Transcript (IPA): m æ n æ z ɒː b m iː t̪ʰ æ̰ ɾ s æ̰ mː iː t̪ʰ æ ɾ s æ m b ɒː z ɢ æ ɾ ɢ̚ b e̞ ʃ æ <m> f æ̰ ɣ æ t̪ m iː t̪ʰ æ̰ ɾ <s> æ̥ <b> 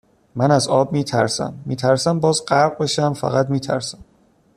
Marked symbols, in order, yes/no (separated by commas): yes, yes, no